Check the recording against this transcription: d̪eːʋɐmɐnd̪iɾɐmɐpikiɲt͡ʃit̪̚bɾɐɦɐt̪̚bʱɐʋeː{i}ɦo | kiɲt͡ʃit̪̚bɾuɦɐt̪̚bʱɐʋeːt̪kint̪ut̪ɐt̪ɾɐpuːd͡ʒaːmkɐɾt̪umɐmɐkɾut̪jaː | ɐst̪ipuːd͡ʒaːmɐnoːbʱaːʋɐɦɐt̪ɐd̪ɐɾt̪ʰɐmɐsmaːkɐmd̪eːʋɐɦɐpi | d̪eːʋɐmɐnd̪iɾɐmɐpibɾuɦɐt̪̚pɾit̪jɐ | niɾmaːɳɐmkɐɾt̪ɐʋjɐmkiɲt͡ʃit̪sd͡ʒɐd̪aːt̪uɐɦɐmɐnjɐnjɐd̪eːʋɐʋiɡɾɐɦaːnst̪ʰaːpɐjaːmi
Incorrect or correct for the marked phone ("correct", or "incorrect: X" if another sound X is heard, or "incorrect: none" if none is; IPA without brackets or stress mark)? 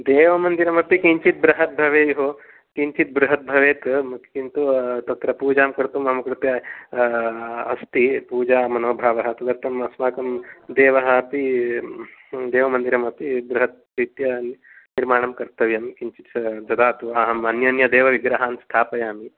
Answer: incorrect: j